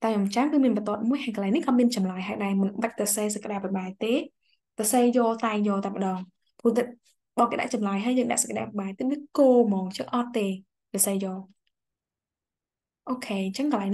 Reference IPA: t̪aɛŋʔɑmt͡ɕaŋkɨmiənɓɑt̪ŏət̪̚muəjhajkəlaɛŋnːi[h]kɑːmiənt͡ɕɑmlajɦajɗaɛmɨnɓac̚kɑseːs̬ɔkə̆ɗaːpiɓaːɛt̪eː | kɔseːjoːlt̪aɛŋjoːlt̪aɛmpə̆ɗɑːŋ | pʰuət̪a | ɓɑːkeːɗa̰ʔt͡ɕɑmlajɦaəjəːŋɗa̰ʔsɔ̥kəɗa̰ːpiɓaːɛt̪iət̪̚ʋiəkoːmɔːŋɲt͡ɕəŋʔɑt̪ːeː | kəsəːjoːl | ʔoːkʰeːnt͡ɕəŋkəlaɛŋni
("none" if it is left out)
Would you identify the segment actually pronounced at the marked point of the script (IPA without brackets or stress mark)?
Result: h